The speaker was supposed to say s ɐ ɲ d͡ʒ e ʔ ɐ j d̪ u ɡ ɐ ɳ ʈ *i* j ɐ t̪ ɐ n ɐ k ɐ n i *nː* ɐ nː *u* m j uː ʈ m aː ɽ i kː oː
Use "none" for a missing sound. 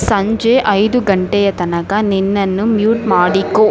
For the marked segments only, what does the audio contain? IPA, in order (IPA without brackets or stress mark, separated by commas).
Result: ɛ, nː, u